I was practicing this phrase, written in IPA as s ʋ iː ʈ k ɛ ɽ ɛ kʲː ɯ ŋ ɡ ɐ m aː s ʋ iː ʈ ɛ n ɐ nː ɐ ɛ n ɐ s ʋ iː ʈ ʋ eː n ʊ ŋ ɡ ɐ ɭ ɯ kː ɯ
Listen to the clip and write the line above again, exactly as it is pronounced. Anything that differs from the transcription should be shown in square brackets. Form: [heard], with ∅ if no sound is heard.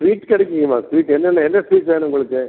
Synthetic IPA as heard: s ʋ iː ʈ k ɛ ɽ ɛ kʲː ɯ ŋ ɡ ɐ m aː s ʋ iː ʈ ɛ [nː] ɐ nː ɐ ɛ [nː] ɐ s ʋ iː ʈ ʋ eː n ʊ ŋ ɡ ɐ ɭ ɯ kː ɯ